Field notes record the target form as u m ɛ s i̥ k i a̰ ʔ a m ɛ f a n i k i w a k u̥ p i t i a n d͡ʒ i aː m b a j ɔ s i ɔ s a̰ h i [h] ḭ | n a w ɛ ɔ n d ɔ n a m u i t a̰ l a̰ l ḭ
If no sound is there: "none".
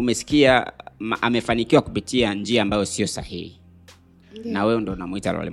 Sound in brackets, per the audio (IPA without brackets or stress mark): h